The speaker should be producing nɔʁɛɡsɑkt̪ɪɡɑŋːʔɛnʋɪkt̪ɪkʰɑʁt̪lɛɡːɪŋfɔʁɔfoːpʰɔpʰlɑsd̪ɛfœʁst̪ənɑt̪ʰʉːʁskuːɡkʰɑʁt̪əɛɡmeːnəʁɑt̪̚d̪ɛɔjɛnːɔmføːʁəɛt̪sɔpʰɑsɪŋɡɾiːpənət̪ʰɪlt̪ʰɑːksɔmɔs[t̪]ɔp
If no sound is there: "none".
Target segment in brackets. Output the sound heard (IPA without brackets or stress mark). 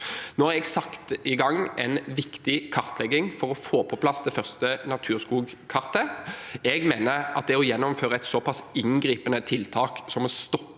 t̪